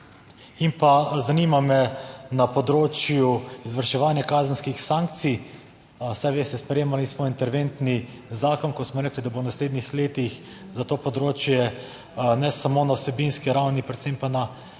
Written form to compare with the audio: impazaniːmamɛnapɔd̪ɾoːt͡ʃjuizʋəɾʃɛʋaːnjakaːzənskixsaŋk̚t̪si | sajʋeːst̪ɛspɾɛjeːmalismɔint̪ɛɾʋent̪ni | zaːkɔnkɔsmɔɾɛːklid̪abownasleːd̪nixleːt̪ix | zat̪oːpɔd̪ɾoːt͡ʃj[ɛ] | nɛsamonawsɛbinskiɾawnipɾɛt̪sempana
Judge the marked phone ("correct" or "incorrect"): correct